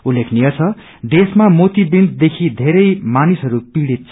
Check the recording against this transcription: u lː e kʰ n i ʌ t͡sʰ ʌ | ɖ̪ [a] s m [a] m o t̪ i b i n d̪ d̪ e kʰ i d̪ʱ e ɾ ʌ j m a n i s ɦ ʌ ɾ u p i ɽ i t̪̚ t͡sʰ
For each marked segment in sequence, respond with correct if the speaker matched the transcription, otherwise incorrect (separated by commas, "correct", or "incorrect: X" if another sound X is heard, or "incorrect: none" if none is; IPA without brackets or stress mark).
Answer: incorrect: e, correct